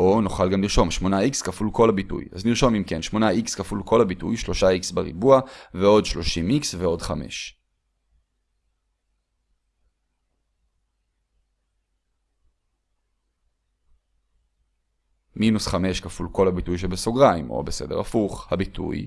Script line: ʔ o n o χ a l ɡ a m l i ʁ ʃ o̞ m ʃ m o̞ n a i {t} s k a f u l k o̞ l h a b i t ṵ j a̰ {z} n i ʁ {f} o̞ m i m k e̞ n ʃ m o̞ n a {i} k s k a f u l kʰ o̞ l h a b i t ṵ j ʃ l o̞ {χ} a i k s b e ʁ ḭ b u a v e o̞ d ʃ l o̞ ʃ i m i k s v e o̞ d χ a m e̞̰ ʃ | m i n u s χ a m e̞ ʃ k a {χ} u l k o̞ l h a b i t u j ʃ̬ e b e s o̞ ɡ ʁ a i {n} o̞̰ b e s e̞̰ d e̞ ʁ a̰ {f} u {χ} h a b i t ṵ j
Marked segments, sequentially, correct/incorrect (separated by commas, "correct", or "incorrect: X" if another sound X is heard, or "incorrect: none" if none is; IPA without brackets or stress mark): incorrect: k, correct, incorrect: ʃ, correct, incorrect: ʃ, incorrect: f, incorrect: m, correct, correct